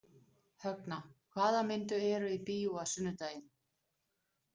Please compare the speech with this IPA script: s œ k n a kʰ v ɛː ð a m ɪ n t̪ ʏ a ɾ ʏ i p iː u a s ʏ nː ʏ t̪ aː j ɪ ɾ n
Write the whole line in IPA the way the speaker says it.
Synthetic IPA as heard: h œ k n a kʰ v aː ð a m ɪ n t̪ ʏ ɛ ɾ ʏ i p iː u a s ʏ nː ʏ t̪ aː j ɪ n